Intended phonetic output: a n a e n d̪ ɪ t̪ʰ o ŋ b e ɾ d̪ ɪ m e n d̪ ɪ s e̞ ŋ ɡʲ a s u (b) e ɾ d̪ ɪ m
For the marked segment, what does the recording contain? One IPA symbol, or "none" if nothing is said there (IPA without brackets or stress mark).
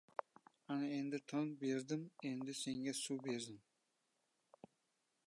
b